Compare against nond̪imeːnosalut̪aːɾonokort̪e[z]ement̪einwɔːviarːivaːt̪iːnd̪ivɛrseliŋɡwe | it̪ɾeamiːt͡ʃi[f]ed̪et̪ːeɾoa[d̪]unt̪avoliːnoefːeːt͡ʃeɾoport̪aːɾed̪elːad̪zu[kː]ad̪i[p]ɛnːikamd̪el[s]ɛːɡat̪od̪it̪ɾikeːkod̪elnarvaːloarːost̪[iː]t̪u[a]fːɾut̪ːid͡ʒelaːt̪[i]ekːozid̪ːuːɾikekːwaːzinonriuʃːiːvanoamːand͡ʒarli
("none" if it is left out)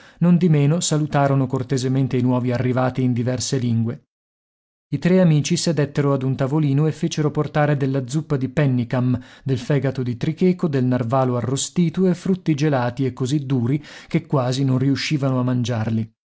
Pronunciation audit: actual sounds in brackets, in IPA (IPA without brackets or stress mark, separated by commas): z, s, d̪, pː, p, f, iː, e, i